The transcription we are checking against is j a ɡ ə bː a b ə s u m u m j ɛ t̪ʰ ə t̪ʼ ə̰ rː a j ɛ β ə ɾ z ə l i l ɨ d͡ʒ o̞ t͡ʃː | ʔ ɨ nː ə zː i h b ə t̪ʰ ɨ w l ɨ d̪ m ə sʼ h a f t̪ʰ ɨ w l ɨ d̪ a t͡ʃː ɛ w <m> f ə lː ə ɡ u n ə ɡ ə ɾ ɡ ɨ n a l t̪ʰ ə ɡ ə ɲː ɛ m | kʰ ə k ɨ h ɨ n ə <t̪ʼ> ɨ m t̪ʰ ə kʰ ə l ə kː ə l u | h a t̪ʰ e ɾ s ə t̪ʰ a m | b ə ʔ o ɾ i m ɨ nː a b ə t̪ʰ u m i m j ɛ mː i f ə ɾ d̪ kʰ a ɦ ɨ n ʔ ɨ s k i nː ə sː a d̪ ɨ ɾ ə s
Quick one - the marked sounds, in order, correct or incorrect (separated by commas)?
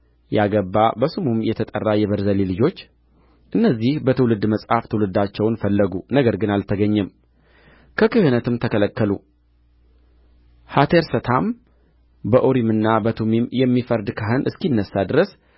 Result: incorrect, incorrect